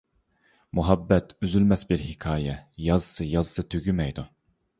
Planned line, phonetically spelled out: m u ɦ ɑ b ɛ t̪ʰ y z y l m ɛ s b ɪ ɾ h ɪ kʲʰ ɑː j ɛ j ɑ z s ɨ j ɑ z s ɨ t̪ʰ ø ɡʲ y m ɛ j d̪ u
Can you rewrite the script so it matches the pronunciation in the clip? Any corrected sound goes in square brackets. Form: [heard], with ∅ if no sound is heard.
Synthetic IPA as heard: m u ɦ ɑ [bː] ɛ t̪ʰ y z y l m ɛ s b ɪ ɾ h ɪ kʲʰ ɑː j ɛ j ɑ z s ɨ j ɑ z s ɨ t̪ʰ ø ɡʲ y m ɛ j d̪ u